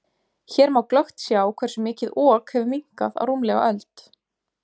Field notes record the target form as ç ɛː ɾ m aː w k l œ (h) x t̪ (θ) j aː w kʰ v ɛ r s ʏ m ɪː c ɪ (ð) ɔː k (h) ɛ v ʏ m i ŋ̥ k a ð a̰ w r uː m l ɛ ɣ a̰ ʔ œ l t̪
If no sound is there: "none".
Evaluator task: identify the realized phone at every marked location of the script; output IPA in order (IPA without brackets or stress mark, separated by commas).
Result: none, s, ð, h